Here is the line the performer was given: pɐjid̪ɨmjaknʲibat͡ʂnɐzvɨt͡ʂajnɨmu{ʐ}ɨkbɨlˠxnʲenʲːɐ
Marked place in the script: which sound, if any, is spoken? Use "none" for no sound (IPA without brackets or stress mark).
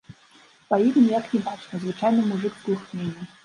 ʐ